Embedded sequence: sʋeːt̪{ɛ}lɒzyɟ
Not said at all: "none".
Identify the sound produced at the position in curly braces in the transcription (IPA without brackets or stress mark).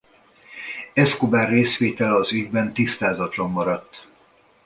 ɛ